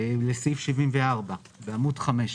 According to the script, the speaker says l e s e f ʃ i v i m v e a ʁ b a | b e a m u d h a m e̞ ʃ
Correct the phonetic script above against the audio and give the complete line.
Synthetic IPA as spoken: l e s i f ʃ i v i m v e a ʁ b a | b e a m u d χ a m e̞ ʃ